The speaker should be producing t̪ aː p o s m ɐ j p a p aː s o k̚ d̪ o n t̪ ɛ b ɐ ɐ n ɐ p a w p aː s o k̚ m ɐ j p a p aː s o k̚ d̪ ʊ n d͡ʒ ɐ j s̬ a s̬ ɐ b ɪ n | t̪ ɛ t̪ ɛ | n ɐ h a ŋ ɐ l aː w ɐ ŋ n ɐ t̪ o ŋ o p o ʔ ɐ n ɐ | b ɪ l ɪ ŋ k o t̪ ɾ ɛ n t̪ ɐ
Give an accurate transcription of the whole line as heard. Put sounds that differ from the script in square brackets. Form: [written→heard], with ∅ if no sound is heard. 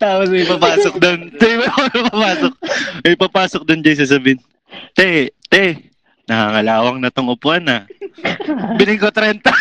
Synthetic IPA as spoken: t̪ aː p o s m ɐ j p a p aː s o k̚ d̪ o n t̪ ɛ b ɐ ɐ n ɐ p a [w→∅] p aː s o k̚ m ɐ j p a p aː s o k̚ d̪ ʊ n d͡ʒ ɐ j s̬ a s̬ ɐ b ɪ n | t̪ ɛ t̪ ɛ | n ɐ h a ŋ ɐ l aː w ɐ ŋ n ɐ t̪ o ŋ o p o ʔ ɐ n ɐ | b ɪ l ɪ ŋ k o t̪ ɾ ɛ n t̪ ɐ